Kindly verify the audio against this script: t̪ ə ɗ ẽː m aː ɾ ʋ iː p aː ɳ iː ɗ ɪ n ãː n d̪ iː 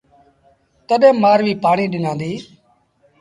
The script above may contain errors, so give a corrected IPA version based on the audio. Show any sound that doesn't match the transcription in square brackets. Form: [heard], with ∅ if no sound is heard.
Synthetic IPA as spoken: t̪ ə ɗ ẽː m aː ɾ ʋ iː p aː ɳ iː ɗ ɪ n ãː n d̪ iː